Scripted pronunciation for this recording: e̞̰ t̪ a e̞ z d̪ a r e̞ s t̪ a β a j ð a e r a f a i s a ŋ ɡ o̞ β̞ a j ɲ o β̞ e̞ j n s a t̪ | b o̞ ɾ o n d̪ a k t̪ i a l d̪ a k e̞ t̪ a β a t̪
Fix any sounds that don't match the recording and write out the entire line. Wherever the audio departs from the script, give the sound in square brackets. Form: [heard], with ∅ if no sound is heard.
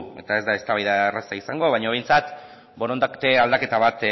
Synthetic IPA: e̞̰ t̪ a e̞ z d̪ a [∅] e̞ s t̪ a β a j ð a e r a [s] a i s a ŋ ɡ o̞ β̞ a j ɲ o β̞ e̞ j n [t͡s] a t̪ | b o̞ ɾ o n d̪ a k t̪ [e] a l d̪ a k e̞ t̪ a β a t̪